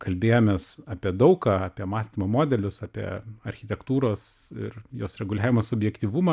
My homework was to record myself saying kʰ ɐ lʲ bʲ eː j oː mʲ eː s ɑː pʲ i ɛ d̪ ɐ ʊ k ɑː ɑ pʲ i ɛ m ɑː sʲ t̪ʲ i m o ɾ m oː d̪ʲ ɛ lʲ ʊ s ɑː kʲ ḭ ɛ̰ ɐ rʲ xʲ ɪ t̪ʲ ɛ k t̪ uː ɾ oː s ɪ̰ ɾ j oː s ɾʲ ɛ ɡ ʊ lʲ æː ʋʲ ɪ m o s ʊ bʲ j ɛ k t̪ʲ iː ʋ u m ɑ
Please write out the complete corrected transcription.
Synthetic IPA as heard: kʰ ɐ lʲ bʲ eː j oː mʲ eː s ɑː pʲ i ɛ d̪ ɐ ʊ k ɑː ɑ pʲ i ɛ m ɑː sʲ t̪ʲ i m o m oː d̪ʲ ɛ lʲ ʊ s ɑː pʲ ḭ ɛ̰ ɐ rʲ xʲ ɪ t̪ʲ ɛ k t̪ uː ɾ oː s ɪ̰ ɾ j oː s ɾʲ ɛ ɡ ʊ lʲ æː ʋʲ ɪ m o s ʊ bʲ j ɛ k t̪ʲ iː ʋ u m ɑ